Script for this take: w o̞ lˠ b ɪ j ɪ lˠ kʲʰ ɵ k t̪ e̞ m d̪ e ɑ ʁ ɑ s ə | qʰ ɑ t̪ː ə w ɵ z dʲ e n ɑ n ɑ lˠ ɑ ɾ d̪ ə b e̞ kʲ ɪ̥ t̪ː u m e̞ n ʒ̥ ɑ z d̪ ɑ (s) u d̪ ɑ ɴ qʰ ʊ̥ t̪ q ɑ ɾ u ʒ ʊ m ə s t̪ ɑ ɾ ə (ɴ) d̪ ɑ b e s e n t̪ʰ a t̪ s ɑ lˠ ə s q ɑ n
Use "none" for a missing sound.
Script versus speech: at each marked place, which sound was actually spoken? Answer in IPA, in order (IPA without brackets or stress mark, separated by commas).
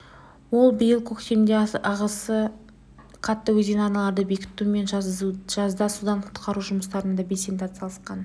s, n